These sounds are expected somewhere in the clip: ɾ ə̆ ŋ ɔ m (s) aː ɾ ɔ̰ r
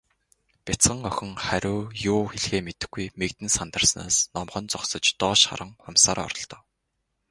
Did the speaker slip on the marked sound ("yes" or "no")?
no